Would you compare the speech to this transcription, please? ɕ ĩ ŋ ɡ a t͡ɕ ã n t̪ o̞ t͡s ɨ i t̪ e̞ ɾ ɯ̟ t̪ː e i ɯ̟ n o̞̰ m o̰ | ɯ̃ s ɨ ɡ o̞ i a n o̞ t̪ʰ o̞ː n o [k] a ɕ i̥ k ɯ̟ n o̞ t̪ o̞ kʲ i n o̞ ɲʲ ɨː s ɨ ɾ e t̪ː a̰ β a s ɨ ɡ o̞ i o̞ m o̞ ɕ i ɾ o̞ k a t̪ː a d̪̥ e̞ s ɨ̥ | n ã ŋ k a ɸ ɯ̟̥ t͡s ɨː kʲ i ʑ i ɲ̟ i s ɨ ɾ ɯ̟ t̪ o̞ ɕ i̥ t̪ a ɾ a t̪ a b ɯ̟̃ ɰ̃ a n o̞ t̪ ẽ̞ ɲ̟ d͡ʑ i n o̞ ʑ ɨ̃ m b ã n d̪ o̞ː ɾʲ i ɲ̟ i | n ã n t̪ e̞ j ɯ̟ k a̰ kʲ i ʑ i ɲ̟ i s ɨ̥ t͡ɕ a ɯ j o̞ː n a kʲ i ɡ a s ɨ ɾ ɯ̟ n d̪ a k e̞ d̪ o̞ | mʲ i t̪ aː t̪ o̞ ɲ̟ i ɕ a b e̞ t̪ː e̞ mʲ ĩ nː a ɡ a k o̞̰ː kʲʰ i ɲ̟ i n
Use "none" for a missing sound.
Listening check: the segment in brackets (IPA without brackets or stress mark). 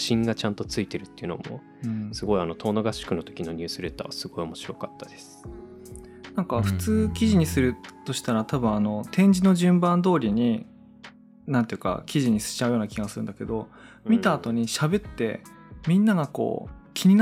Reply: ɡ